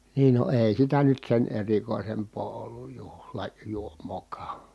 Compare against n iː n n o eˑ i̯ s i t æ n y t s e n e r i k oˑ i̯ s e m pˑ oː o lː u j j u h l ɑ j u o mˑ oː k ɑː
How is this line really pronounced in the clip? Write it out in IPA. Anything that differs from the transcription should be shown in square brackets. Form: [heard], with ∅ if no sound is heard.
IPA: n iː n n o eˑ i̯ s i t æ n y t s e n e r i k oˑ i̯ s e m pˑ oː o lː u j j u h l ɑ j u o mˑ oː k ɑː